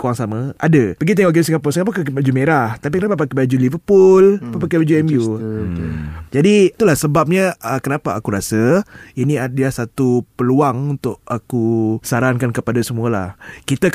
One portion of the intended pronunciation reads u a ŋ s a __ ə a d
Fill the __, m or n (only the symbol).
m